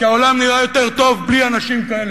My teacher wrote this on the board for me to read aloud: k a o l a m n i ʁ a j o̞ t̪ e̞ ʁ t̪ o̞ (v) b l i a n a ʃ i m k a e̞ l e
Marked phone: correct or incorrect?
correct